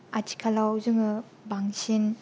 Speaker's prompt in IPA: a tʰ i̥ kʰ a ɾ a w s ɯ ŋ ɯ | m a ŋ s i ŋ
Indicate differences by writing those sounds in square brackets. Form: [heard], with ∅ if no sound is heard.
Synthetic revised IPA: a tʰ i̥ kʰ a [l] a w [z] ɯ ŋ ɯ | [b] a ŋ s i [n]